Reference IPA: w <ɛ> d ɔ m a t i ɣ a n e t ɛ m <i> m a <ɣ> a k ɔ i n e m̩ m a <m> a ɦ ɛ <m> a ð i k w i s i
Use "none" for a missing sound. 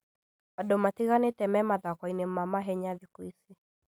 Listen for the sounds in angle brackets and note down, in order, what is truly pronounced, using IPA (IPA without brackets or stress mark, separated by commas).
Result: a, ɛ, ð, m, ɲ